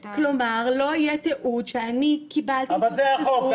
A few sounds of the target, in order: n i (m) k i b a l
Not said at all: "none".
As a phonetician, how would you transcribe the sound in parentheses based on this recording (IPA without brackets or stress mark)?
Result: none